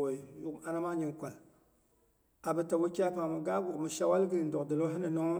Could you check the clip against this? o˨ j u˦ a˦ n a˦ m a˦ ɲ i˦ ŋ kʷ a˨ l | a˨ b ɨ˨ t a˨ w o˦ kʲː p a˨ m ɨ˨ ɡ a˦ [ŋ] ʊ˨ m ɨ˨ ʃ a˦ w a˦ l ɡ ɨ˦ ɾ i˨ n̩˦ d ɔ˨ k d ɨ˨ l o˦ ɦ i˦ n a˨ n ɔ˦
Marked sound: incorrect: ɡ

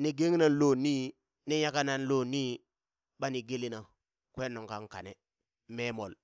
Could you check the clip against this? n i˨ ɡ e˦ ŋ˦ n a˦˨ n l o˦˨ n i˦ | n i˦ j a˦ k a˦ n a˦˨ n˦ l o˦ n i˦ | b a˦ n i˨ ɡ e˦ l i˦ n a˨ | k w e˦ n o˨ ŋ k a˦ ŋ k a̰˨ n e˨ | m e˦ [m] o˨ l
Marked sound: correct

